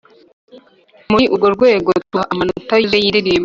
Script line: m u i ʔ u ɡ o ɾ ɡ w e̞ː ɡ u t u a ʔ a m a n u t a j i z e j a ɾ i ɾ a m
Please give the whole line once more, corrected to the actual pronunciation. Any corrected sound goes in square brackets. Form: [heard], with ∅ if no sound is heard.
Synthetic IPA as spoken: m u i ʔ u ɡ o ɾ ɡ w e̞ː ɡ [o] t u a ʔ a m a n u t a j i z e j [i] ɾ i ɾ [i] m